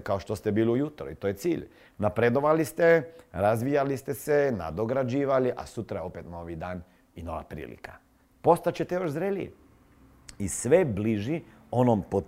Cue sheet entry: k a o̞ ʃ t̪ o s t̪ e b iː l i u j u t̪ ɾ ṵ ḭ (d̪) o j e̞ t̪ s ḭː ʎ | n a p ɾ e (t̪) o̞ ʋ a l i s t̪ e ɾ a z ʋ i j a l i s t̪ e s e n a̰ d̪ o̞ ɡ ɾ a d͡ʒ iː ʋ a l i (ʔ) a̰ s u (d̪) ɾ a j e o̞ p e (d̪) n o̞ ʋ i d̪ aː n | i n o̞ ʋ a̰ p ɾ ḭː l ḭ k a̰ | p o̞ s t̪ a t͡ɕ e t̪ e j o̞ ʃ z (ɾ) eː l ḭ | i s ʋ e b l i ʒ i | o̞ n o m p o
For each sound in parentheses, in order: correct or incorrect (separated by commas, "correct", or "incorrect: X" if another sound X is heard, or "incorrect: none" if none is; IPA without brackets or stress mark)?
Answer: incorrect: t̪, incorrect: d̪, correct, incorrect: t̪, incorrect: t̪, correct